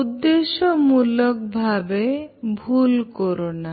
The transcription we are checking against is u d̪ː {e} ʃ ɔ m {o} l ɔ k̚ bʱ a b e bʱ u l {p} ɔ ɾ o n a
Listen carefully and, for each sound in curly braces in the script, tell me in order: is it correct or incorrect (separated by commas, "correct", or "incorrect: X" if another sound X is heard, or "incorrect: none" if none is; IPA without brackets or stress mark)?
correct, incorrect: u, incorrect: k